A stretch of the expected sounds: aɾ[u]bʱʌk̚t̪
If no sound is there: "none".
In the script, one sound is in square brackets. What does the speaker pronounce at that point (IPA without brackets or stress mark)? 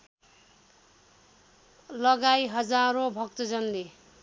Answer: o